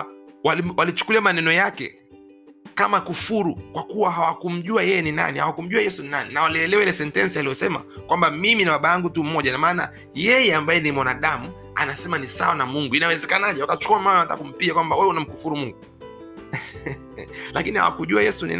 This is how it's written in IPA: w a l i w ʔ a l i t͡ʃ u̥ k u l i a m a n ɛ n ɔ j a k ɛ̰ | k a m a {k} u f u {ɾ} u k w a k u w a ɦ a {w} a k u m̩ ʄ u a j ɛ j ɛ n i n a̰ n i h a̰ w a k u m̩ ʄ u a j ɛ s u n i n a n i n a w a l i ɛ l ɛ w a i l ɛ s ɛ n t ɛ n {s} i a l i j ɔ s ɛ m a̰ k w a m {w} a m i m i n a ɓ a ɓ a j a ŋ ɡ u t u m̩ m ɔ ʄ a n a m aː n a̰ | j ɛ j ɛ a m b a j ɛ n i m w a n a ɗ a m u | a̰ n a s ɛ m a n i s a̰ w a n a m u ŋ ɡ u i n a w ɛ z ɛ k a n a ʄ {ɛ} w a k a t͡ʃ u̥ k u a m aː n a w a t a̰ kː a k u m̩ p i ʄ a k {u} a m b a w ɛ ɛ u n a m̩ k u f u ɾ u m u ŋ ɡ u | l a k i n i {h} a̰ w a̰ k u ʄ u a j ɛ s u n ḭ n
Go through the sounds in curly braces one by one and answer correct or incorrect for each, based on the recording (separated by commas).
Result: correct, correct, correct, correct, incorrect, correct, incorrect, correct